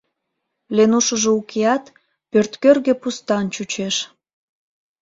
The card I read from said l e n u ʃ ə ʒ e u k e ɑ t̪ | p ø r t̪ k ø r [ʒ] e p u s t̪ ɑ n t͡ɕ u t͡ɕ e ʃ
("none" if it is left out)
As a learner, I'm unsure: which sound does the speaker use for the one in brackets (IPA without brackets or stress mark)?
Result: ɣ